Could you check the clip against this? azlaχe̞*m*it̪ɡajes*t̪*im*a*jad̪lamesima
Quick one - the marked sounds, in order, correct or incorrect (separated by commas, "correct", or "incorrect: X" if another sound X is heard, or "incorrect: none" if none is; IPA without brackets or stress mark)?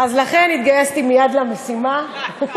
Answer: incorrect: n, correct, incorrect: i